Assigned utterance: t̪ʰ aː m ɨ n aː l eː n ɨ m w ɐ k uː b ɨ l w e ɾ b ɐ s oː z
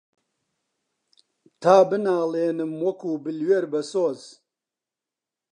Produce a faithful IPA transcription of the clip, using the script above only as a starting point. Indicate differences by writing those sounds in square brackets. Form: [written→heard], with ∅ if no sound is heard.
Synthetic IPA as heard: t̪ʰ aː [m→b] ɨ n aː l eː n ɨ m w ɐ k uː b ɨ l w e ɾ b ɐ s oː z